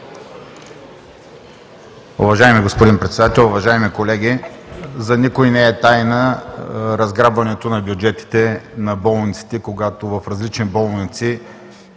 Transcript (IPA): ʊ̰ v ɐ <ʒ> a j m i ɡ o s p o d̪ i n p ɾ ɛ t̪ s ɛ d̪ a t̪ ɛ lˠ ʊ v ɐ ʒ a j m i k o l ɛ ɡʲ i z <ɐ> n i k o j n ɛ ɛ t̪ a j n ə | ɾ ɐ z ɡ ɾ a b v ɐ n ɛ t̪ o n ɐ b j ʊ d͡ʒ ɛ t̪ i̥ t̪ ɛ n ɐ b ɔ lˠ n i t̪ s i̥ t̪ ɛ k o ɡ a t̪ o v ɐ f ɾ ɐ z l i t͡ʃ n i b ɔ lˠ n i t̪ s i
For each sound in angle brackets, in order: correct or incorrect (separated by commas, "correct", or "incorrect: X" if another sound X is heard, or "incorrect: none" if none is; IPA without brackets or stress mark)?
correct, correct